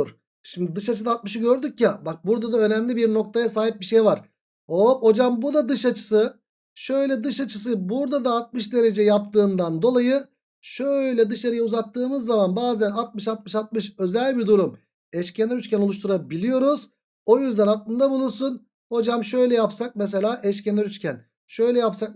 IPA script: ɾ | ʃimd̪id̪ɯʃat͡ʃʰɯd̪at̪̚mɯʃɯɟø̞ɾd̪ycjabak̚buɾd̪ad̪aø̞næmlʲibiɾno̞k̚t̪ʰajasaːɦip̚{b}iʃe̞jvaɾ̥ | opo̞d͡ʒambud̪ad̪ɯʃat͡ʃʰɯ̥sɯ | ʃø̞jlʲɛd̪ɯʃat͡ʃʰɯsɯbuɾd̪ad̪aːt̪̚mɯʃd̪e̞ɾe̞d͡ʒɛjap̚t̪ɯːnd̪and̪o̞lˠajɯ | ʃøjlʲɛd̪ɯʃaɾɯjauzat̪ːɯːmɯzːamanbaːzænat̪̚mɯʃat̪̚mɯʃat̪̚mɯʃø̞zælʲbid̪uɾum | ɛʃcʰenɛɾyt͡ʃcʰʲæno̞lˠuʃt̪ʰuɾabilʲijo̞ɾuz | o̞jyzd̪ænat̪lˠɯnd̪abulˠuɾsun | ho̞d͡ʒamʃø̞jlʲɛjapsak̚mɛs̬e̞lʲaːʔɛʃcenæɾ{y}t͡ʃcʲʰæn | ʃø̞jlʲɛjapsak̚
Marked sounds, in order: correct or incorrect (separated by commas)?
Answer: correct, correct